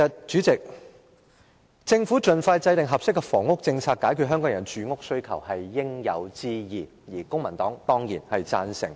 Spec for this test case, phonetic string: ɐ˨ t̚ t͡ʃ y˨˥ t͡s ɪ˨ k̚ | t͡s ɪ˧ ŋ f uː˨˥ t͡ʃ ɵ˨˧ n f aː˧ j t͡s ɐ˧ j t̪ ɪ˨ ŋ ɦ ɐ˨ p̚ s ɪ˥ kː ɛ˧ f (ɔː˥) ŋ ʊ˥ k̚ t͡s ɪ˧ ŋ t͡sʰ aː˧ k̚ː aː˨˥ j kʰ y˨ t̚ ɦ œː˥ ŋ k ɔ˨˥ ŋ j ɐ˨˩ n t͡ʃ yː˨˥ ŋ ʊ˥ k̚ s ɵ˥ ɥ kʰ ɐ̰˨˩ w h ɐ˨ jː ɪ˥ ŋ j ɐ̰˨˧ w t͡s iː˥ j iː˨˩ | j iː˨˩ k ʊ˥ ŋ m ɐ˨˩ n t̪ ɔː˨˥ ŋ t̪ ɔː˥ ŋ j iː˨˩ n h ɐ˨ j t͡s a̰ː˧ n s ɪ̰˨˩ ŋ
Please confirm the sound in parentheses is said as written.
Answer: no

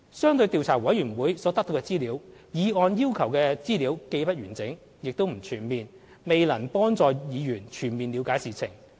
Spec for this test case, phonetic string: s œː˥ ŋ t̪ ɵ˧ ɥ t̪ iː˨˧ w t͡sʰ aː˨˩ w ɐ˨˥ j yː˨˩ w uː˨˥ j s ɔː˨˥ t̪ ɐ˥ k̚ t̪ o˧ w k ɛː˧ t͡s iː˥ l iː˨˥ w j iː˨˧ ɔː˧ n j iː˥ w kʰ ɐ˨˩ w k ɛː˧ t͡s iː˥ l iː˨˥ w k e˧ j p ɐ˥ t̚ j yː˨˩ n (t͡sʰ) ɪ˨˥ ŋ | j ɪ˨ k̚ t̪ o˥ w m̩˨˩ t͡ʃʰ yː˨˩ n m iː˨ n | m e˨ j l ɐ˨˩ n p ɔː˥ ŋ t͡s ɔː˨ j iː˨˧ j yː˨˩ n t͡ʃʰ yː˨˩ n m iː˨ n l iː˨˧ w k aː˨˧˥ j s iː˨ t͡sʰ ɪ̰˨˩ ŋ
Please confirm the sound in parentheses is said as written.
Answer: no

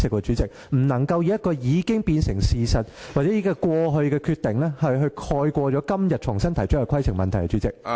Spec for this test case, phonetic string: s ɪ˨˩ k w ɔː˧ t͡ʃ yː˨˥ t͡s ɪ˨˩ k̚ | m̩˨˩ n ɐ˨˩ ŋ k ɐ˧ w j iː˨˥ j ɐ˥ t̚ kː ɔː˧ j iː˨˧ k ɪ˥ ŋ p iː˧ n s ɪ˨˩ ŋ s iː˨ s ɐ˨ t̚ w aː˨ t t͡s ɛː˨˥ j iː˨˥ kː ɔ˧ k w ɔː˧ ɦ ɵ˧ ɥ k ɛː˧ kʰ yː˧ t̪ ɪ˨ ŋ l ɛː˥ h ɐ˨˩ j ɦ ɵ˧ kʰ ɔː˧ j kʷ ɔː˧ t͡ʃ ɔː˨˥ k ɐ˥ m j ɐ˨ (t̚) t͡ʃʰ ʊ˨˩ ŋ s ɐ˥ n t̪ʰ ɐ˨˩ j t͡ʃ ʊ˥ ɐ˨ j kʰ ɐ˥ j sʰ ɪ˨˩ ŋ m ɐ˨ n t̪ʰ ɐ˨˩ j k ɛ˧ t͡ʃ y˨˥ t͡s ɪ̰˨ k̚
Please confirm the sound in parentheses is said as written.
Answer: yes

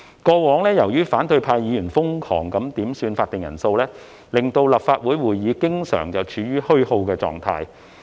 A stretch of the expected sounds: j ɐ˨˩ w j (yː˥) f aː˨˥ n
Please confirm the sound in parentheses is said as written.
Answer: yes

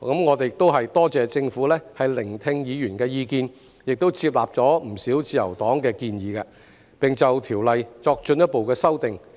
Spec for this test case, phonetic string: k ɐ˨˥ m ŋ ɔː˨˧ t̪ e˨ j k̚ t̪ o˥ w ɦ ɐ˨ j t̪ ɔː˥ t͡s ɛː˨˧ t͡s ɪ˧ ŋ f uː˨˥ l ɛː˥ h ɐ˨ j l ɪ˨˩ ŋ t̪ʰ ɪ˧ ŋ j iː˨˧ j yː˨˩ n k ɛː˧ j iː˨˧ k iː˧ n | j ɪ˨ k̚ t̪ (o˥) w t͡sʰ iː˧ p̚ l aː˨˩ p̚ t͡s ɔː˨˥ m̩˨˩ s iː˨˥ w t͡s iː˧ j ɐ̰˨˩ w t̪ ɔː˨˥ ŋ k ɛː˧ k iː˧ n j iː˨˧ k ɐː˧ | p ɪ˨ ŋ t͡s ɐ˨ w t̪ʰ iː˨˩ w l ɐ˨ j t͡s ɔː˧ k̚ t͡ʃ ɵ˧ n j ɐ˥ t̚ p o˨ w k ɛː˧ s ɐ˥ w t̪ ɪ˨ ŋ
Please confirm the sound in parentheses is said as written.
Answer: yes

